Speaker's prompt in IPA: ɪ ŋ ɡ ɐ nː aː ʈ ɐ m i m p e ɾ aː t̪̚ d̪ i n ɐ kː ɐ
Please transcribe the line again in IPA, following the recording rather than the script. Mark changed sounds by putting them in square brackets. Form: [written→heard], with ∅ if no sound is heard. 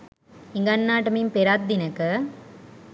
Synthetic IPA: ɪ ŋ ɡ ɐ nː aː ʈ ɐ m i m p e ɾ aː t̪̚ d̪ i n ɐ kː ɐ